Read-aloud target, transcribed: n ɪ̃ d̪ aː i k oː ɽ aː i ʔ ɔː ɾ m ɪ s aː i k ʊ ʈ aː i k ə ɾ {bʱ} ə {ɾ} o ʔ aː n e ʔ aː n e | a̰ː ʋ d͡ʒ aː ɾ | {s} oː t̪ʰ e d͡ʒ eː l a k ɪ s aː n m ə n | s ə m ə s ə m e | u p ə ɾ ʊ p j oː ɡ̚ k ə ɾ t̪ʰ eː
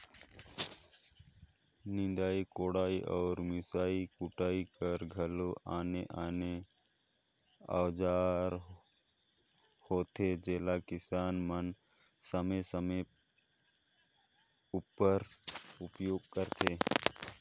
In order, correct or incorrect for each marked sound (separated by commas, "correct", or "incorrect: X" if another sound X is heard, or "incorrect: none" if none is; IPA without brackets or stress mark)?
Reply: incorrect: ɡʱ, incorrect: l, incorrect: h